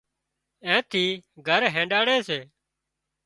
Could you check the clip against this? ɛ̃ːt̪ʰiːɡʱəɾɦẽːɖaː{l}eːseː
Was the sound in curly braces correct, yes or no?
no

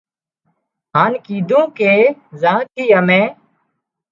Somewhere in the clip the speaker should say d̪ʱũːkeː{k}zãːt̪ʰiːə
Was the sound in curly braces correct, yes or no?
no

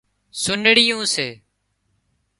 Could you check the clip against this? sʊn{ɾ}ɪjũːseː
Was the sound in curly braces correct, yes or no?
no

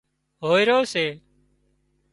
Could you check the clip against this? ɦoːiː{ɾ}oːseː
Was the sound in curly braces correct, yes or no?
yes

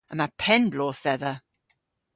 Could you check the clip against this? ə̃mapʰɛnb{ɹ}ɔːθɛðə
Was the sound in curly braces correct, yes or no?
no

